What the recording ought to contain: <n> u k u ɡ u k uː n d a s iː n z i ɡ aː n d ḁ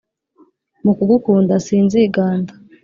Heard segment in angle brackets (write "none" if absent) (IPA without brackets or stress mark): m